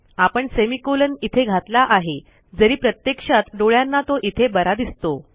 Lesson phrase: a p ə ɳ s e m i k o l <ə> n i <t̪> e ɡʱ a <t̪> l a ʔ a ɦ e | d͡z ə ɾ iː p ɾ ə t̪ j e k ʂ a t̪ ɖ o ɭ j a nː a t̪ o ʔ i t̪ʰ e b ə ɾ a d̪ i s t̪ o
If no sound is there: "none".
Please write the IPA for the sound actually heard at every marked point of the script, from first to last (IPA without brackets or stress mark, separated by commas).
ə, t̪ʰ, t̪